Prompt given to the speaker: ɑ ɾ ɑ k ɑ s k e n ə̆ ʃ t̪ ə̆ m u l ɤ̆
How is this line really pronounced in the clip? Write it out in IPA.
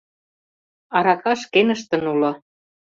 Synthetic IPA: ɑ ɾ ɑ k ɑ ʃ k e n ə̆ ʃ t̪ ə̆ n u l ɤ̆